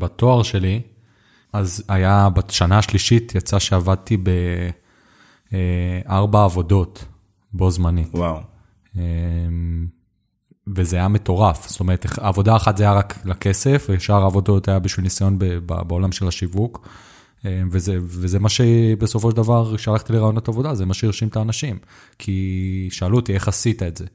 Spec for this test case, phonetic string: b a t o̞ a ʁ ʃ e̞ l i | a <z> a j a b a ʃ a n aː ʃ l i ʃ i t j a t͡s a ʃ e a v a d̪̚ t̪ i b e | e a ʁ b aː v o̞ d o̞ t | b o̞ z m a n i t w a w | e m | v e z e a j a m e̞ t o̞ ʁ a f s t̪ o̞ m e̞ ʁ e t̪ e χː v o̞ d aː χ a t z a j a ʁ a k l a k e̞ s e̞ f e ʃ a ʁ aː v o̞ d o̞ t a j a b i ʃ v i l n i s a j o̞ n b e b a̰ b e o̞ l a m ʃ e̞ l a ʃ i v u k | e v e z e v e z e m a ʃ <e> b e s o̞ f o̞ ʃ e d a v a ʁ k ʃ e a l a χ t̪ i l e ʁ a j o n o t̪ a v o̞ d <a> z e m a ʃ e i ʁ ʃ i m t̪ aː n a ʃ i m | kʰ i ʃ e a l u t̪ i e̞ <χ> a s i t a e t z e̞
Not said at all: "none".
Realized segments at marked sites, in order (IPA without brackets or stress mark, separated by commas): z, e, a, χ